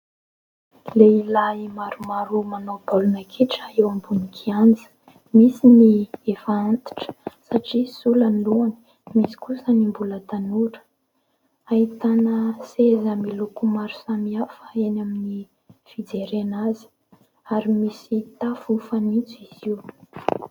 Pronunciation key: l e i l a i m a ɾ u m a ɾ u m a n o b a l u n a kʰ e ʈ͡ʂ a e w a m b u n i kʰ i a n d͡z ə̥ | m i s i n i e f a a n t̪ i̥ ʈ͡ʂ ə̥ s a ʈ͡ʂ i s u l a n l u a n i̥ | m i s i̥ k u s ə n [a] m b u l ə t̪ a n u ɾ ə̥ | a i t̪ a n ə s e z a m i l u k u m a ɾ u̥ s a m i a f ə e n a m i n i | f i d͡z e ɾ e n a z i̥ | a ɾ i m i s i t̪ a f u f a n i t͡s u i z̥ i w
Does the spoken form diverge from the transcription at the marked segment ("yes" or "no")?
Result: yes